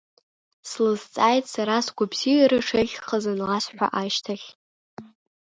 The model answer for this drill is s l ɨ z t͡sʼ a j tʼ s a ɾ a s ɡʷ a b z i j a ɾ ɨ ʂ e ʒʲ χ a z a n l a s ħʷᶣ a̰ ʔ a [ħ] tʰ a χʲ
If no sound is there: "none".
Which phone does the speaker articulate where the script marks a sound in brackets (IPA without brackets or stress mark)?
ʃ